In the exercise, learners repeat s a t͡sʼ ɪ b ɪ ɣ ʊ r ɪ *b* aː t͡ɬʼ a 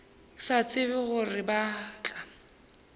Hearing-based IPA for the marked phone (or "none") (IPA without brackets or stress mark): b